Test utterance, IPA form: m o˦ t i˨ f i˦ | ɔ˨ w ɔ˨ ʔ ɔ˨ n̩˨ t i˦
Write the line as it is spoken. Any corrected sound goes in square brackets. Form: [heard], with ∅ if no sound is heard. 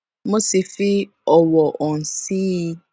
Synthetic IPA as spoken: m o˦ [s] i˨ f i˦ | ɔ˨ w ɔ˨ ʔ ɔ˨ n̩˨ [s] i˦